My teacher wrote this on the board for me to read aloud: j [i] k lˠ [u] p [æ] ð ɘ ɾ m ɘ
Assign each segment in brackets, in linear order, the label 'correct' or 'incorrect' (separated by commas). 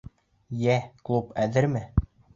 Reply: incorrect, correct, correct